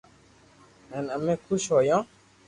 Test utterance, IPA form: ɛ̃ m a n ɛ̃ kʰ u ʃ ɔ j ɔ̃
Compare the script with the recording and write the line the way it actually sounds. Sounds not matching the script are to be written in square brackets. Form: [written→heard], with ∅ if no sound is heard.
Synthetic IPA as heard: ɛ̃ [m→n] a [n→m] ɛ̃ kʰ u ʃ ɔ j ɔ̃